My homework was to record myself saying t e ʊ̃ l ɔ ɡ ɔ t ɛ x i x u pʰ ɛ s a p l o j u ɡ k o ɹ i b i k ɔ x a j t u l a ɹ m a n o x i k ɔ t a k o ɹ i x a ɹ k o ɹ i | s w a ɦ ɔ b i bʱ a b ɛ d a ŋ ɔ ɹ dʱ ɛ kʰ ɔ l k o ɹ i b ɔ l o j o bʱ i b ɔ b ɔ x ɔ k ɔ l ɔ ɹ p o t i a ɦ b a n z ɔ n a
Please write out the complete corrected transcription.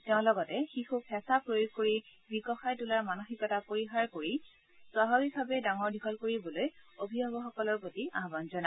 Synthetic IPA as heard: t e ʊ̃ l ɔ ɡ ɔ t ɛ x i x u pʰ ɛ s a p ɹ o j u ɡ k o ɹ i b i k ɔ x a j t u l a ɹ m a n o x i k ɔ t a p o ɹ i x a ɹ k o ɹ i | s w a ɦ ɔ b i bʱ a b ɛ d a ŋ ɔ ɹ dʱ i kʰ ɔ l k o ɹ i b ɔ l o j o bʱ i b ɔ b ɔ x ɔ k ɔ l ɔ ɹ p o t i a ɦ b a n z ɔ n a